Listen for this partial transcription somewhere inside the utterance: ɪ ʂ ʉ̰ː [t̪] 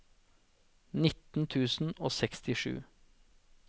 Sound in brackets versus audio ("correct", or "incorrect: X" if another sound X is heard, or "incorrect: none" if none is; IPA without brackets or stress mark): incorrect: none